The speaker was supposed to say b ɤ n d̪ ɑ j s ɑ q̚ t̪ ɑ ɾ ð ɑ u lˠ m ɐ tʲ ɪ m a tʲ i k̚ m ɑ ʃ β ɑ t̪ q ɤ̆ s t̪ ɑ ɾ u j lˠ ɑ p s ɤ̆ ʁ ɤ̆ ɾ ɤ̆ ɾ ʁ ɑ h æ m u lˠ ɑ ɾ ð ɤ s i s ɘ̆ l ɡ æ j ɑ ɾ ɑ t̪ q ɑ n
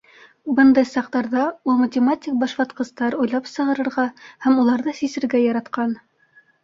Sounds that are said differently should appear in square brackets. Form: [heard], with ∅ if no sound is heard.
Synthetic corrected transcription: b ɤ n d̪ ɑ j s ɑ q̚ t̪ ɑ ɾ ð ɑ u lˠ m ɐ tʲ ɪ m a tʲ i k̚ [b] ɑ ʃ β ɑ t̪ q ɤ̆ s t̪ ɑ ɾ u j lˠ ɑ p s ɤ̆ ʁ ɤ̆ ɾ ɤ̆ ɾ ʁ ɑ h æ m u lˠ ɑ ɾ ð ɤ s i s ɘ̆ [ɾ] ɡ æ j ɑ ɾ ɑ t̪ q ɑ n